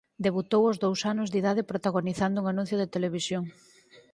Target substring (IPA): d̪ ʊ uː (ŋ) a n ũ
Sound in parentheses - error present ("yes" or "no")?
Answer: no